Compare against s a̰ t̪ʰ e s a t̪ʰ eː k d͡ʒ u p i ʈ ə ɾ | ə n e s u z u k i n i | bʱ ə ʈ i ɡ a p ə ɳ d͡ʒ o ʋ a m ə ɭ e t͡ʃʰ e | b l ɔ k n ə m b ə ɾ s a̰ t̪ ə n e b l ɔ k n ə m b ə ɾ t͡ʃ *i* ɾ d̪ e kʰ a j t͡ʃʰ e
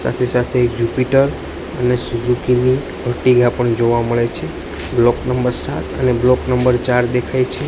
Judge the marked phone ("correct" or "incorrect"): incorrect